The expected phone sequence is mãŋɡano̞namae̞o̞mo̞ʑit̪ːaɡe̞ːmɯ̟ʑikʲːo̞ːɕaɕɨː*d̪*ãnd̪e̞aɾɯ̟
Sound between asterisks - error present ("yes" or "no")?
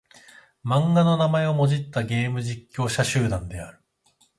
no